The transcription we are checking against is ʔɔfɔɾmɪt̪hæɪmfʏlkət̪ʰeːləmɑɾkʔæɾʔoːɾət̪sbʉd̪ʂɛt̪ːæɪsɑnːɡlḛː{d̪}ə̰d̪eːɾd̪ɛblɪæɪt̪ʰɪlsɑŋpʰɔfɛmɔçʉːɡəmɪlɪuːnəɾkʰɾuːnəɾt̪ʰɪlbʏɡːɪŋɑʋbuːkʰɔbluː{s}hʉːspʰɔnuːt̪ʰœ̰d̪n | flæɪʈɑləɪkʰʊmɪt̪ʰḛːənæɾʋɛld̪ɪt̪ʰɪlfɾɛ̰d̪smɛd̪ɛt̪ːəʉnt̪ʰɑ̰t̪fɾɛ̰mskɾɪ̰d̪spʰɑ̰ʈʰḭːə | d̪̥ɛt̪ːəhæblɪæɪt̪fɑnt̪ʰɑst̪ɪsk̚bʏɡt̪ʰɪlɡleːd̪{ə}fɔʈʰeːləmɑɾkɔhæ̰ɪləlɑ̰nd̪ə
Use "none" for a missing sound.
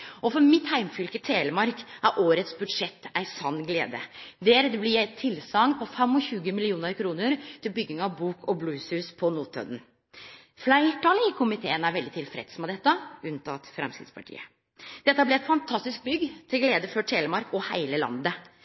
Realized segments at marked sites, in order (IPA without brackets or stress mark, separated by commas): d̪, s, ə